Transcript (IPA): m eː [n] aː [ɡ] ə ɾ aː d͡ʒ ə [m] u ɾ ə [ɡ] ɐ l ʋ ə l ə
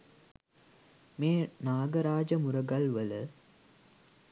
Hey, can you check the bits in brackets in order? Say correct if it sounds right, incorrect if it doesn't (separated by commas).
correct, correct, correct, correct